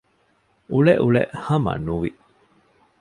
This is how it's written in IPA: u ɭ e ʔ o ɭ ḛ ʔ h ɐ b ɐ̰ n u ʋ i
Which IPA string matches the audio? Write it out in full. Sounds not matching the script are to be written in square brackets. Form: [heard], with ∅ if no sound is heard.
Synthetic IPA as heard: u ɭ e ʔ [u] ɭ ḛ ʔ h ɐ [m] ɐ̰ n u ʋ i